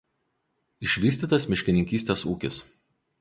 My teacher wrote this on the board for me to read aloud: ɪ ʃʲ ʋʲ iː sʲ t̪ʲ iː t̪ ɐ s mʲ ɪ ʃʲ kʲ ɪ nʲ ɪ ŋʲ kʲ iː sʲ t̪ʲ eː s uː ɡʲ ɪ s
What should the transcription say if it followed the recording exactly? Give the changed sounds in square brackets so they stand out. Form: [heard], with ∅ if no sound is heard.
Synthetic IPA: ɪ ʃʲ ʋʲ iː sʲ t̪ʲ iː t̪ ɐ s mʲ ɪ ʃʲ kʲ ɪ nʲ ɪ ŋʲ kʲ iː sʲ t̪ʲ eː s uː [kʲ] ɪ s